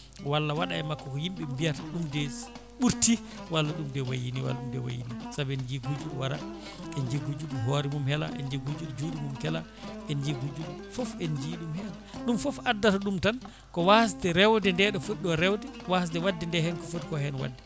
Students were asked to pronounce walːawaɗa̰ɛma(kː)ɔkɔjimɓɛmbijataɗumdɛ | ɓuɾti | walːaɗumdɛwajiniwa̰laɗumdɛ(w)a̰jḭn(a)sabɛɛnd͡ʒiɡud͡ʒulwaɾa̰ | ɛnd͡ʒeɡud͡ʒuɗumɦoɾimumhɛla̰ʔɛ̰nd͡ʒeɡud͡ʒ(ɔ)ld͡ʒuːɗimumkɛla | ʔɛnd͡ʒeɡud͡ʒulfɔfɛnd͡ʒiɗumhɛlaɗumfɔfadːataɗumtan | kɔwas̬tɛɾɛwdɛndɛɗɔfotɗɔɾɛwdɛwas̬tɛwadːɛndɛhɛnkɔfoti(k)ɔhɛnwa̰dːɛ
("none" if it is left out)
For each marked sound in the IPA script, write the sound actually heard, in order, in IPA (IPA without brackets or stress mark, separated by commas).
kː, w, i, u, k